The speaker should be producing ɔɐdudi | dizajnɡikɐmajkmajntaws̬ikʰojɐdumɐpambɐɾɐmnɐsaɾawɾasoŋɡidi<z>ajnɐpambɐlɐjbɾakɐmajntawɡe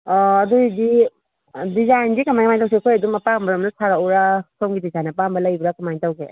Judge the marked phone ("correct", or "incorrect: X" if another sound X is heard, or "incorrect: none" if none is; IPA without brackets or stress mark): correct